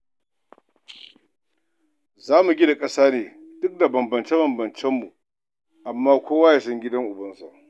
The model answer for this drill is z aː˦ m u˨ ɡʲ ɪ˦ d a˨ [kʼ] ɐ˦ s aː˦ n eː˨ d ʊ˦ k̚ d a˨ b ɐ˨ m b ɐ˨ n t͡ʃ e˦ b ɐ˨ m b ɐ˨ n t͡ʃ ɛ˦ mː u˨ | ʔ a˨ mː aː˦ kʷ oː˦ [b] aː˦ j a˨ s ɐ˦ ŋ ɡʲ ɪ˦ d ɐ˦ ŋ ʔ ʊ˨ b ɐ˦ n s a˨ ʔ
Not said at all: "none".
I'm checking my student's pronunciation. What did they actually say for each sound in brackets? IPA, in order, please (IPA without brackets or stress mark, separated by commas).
kʼ, w